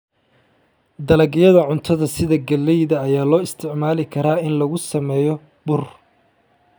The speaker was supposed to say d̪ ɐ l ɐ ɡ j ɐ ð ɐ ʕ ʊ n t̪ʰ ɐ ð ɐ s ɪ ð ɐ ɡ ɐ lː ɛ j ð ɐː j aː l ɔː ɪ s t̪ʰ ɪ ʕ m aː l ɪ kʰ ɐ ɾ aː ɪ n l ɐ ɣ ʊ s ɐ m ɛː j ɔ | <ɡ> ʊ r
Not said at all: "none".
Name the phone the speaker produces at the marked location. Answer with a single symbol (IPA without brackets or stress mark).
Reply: b